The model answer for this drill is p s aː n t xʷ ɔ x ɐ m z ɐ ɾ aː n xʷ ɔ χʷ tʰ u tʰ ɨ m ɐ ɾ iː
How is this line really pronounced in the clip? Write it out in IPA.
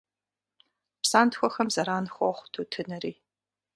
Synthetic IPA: p s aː n t xʷ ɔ x ɐ m z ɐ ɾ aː n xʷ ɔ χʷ tʰ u tʰ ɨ n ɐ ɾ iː